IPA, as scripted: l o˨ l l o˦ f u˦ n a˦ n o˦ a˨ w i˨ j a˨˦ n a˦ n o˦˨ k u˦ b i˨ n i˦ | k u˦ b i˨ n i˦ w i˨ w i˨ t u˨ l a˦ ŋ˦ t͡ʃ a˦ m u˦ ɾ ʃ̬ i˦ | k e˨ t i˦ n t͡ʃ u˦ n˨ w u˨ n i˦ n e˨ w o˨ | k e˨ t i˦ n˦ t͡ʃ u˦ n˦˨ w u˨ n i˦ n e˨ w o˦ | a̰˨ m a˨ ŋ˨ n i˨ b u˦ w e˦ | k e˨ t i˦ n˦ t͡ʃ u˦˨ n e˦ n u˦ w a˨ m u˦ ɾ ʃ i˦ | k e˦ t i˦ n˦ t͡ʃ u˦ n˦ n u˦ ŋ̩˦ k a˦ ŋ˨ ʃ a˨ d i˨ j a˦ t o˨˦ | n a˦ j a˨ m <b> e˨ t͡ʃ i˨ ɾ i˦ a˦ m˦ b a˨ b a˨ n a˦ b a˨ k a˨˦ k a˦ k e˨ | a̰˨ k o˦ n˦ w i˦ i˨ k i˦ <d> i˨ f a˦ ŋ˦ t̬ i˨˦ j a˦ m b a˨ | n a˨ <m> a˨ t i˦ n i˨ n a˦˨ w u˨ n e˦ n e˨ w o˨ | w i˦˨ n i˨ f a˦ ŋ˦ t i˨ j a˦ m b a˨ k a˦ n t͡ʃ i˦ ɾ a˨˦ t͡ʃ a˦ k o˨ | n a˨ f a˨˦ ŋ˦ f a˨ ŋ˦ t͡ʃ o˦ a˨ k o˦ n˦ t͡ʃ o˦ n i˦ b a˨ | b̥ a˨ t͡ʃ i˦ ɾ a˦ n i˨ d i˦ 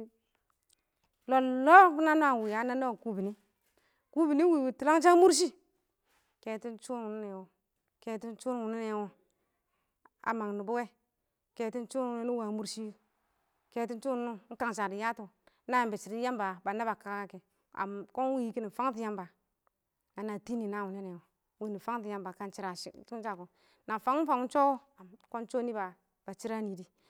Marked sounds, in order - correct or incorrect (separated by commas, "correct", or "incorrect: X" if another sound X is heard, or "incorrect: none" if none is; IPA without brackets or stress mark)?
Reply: correct, incorrect: n, incorrect: n